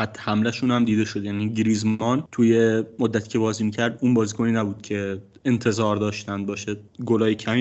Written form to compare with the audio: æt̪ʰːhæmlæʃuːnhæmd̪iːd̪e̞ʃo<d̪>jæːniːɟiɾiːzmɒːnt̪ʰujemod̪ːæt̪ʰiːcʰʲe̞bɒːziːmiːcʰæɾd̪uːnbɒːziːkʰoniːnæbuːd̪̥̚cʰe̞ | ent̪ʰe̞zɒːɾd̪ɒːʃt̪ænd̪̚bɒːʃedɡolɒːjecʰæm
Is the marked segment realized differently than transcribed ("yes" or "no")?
no